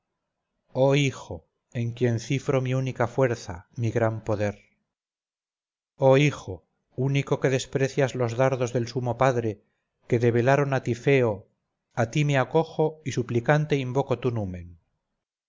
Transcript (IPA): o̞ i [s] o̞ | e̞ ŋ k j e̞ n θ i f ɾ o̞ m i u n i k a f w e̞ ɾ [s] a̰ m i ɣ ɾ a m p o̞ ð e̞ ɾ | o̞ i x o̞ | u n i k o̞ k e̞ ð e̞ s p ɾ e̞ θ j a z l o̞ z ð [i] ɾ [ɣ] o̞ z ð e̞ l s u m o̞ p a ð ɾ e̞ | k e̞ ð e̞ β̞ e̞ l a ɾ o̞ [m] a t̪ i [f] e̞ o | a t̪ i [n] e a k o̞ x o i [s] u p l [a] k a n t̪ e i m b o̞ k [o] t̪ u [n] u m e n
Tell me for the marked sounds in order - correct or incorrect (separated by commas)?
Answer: incorrect, incorrect, incorrect, incorrect, incorrect, correct, incorrect, correct, incorrect, correct, correct